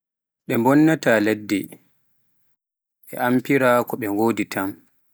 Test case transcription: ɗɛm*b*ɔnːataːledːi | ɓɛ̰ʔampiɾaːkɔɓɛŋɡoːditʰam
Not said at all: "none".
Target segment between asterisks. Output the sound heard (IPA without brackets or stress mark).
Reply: b